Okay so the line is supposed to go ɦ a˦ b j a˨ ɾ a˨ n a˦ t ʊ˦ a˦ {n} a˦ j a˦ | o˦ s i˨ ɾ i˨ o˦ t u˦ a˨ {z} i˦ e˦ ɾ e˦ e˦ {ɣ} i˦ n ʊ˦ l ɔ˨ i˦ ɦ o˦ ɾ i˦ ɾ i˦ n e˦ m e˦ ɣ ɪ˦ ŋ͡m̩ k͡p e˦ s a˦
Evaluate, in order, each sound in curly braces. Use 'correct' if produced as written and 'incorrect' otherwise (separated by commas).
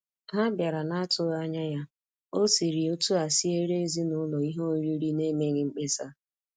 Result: incorrect, incorrect, incorrect